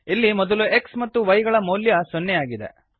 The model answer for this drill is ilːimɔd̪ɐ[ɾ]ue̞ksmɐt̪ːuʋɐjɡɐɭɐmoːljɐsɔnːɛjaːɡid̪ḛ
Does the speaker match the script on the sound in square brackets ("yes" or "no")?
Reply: no